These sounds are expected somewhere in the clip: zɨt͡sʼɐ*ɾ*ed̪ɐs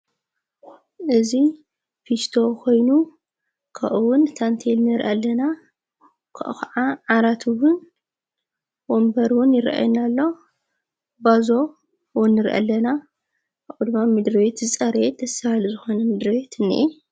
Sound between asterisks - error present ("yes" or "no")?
no